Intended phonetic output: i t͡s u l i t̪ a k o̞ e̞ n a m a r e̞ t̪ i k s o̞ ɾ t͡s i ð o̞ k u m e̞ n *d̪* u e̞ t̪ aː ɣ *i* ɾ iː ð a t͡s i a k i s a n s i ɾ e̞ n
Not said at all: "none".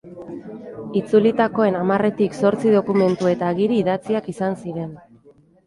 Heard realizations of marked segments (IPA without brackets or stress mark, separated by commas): t̪, i